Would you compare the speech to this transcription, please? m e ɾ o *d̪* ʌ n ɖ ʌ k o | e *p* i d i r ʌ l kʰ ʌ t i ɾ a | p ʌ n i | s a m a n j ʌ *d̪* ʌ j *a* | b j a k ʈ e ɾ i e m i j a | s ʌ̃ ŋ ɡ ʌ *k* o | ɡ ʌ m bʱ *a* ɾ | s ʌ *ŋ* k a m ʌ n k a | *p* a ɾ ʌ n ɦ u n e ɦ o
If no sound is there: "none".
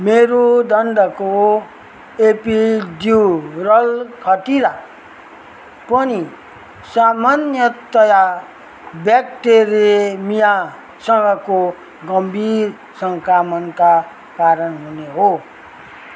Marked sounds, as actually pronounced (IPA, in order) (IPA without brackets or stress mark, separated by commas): d̪, p, t̪, a, k, i, ŋ, k